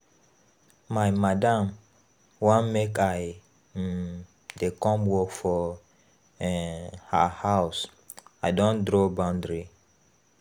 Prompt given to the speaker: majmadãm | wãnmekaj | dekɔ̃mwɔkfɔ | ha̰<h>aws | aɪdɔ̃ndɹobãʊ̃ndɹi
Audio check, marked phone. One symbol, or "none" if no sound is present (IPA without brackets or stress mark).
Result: h